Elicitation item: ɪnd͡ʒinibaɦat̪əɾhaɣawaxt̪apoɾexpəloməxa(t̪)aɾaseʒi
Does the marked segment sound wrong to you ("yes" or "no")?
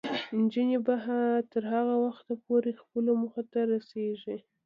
no